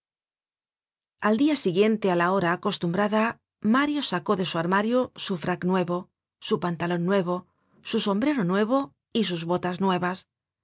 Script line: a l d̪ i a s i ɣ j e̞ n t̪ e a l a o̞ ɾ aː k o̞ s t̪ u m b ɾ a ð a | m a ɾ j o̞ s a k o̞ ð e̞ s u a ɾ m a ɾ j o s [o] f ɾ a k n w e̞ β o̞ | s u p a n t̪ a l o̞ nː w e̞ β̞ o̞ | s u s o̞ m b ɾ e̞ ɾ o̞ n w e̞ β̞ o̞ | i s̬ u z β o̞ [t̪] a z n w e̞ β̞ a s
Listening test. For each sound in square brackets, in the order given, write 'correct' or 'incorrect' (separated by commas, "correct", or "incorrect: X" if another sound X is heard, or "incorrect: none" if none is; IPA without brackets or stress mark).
incorrect: u, correct